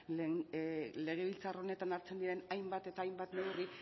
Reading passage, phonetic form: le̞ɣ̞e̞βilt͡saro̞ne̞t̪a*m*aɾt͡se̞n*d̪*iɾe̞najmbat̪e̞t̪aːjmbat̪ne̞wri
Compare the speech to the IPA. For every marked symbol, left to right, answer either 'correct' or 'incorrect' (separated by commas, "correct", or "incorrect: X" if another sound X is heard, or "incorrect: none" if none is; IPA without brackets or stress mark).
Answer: incorrect: n, correct